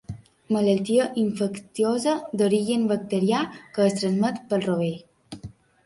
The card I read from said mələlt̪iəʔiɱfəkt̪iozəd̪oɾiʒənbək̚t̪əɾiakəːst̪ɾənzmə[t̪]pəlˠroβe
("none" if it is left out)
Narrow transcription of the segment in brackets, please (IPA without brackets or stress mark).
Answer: t̪